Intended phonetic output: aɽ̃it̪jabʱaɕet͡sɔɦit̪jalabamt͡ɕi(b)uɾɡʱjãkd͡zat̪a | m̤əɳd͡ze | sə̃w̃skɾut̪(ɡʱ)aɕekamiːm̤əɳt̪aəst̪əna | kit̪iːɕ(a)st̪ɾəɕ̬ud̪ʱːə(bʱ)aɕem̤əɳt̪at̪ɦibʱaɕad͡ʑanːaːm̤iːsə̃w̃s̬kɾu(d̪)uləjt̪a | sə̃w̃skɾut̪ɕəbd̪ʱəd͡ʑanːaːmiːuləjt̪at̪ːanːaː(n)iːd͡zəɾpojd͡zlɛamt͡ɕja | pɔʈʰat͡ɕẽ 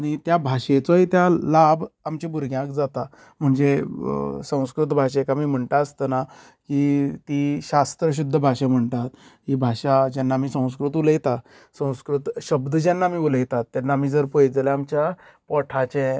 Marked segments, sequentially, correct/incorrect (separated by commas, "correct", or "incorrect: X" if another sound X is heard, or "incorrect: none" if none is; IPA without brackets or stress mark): correct, incorrect: bʱ, correct, correct, incorrect: t̪, incorrect: m